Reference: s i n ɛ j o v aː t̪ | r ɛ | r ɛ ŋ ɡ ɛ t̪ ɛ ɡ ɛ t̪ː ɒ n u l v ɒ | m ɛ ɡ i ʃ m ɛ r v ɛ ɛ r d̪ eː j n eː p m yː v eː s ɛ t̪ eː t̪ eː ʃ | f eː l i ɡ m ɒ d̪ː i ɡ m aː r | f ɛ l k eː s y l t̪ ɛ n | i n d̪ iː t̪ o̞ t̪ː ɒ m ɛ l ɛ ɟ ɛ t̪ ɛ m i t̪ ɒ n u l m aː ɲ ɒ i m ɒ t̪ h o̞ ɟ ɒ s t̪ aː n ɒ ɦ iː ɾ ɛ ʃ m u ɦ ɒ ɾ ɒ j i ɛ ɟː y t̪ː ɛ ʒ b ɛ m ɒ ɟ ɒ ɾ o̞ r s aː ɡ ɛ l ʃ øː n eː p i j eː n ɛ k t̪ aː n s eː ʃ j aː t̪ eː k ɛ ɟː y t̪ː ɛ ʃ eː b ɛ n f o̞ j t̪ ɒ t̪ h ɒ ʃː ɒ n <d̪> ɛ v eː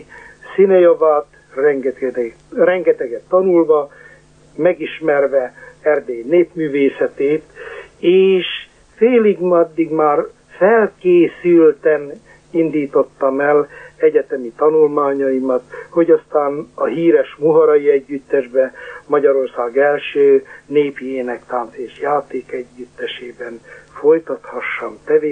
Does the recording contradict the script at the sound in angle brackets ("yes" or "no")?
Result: yes